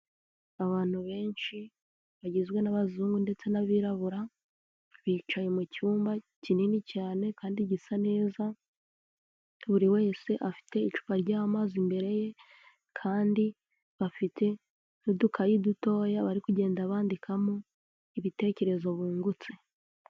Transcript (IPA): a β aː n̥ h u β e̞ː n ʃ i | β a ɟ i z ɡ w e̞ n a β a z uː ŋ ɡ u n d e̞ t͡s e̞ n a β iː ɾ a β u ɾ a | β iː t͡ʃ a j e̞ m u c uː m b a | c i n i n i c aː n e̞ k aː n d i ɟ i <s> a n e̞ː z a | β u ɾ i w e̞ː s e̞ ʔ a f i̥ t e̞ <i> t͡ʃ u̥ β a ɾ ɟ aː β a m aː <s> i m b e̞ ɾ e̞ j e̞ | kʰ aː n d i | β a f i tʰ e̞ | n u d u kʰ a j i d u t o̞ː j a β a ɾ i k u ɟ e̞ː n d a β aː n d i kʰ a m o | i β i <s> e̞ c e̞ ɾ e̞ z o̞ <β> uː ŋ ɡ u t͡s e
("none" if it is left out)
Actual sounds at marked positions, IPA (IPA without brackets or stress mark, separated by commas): s, i, z, t, β